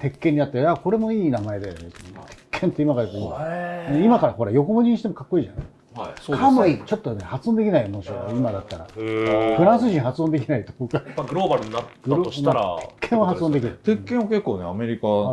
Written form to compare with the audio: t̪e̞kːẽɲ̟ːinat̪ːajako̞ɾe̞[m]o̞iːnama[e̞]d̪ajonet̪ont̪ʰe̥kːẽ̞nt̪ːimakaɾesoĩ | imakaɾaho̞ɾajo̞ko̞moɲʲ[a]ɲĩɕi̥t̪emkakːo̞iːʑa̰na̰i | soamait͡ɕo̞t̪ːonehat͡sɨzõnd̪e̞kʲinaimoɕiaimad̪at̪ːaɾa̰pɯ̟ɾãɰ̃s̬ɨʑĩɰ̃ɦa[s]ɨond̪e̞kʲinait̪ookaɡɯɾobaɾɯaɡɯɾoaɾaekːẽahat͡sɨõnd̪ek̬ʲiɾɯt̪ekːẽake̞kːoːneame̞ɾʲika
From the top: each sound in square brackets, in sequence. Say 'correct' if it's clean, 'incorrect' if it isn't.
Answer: correct, correct, incorrect, incorrect

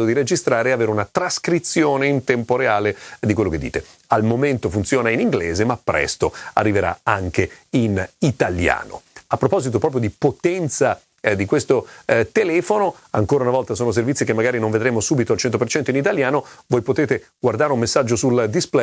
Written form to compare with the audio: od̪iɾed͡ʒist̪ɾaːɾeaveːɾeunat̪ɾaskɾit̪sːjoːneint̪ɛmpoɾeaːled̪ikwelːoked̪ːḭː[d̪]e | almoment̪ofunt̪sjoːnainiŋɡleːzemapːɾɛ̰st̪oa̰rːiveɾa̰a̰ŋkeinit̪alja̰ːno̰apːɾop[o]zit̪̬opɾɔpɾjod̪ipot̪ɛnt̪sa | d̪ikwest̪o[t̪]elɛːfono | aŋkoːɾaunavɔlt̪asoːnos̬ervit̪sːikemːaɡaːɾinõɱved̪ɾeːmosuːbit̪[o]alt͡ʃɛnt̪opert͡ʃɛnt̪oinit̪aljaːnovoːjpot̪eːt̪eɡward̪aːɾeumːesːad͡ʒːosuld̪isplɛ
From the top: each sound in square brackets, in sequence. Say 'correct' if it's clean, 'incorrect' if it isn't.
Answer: incorrect, incorrect, correct, correct

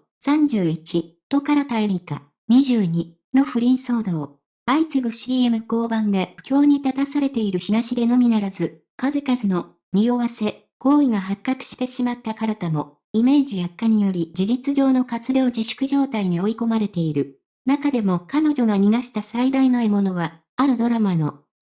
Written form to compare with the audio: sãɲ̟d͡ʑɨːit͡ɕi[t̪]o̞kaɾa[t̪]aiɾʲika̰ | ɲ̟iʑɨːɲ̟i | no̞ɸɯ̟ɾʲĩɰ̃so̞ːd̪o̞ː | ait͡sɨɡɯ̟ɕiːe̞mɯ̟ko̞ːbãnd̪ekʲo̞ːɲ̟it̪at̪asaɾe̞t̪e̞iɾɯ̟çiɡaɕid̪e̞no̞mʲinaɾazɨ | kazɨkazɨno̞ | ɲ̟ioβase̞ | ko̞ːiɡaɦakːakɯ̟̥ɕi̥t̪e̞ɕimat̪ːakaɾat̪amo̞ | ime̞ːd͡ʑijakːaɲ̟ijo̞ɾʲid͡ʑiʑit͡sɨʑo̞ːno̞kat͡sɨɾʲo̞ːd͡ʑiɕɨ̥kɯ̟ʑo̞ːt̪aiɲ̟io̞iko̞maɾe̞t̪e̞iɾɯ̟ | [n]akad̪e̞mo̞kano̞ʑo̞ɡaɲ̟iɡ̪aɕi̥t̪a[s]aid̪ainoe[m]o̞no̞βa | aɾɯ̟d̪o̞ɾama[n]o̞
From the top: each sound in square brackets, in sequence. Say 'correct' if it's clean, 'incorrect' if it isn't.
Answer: correct, correct, correct, correct, correct, correct

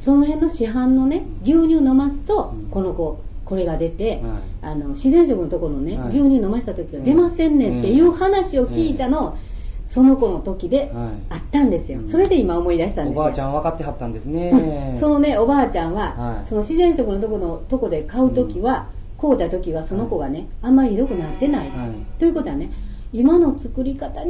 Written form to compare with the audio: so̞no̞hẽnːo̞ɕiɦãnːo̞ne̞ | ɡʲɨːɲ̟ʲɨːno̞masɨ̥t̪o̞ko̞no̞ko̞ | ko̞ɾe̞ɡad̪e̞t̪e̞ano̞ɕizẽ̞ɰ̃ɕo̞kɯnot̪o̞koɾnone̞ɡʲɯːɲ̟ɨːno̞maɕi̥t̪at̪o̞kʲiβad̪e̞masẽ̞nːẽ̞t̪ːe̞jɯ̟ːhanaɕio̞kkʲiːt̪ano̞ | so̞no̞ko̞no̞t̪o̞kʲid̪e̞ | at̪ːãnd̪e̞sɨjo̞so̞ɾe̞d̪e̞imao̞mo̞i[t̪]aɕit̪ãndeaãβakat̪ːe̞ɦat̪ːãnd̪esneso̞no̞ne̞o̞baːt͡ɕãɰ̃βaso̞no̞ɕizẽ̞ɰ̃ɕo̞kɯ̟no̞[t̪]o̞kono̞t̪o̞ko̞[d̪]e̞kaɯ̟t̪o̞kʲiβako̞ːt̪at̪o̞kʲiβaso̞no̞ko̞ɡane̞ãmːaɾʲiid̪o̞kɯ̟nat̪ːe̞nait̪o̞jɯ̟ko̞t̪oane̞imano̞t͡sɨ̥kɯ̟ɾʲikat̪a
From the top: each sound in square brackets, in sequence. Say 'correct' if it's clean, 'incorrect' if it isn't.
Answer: incorrect, correct, correct

